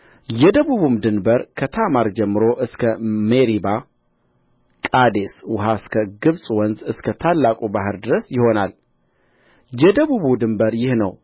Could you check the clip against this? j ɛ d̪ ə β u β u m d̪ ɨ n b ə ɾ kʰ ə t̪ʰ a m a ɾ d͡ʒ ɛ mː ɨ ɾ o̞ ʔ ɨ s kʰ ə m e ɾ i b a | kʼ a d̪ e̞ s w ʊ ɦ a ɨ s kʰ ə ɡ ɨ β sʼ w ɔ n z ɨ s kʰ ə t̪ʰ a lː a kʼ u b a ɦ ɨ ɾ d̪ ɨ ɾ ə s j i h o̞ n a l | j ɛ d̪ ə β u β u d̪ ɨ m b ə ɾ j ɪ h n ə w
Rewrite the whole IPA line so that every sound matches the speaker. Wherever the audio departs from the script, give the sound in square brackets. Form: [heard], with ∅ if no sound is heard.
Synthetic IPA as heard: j ɛ d̪ ə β u β u m d̪ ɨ n b ə ɾ kʰ ə t̪ʰ a m a ɾ d͡ʒ ɛ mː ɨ ɾ o̞ ʔ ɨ s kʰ ə m e ɾ i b a | kʼ a d̪ e̞ s w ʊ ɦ a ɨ s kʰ ə ɡ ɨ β sʼ w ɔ n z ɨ s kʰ ə t̪ʰ a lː a kʼ u b a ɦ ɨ ɾ d̪ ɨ ɾ ə s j [ɪ] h o̞ n a l | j ɛ d̪ ə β u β u d̪ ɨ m b ə ɾ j ɪ h n ə w